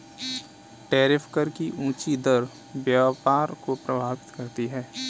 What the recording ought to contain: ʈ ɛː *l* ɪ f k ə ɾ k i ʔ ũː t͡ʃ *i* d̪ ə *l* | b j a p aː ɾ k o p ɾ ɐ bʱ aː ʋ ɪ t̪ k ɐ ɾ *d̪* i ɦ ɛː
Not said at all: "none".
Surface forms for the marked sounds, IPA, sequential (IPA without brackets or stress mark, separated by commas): ɾ, i, ɾ, t̪